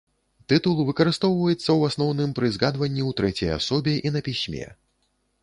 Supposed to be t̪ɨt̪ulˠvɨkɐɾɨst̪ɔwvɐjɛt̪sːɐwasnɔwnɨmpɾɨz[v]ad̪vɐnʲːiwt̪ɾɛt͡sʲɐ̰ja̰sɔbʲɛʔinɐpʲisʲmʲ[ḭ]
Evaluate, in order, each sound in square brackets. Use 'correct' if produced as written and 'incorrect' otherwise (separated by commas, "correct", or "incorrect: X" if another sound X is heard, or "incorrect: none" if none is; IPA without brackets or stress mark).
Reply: incorrect: ɣ, incorrect: ɛ̰